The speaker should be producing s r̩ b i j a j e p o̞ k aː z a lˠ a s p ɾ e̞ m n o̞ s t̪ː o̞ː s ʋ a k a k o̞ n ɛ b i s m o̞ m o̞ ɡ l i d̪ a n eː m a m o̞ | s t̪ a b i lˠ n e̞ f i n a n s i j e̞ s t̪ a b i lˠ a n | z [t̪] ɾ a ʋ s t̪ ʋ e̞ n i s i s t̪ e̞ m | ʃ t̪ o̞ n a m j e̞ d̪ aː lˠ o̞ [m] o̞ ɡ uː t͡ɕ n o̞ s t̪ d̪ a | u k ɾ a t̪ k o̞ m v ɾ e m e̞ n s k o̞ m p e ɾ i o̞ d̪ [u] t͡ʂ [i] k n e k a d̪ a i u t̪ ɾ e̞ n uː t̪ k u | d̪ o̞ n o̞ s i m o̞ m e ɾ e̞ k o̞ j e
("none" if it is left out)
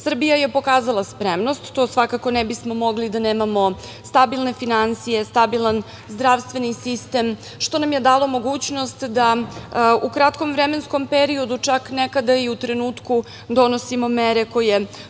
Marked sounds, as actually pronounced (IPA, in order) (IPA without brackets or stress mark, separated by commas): d̪, m, u, a